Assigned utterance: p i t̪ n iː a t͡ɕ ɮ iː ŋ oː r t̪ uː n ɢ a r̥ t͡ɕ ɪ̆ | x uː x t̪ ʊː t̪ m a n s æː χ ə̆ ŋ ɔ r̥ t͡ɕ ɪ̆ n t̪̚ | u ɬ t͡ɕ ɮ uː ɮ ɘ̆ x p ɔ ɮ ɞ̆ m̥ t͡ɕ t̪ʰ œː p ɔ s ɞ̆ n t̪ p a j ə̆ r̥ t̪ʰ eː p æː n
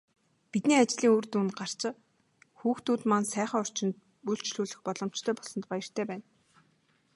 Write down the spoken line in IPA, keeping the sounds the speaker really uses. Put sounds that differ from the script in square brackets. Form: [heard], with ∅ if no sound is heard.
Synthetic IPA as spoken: p i t̪ n iː a t͡ɕ ɮ iː ŋ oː r t̪ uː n ɢ a r̥ t͡ɕ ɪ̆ | x uː x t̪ [uː] t̪ m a n s æː χ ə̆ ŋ ɔ r̥ t͡ɕ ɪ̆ n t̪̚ | u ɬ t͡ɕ ɮ uː ɮ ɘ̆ x p ɔ ɮ ɞ̆ m̥ t͡ɕ t̪ʰ œː p ɔ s ɞ̆ n t̪ p a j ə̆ r̥ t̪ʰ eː p æː n